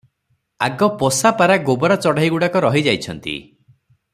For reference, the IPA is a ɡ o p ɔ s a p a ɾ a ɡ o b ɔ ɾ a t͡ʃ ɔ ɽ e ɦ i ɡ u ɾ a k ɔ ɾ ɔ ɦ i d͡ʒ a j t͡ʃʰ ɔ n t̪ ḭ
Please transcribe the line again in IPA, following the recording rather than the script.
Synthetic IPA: a ɡ ɔ p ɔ s a p a ɾ a ɡ o b ɔ ɾ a t͡ʃ ɔ ɽ a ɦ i ɡ u ɽ a k ɔ ɾ ɔ ɦ i d͡ʒ a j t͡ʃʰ ɔ n t̪ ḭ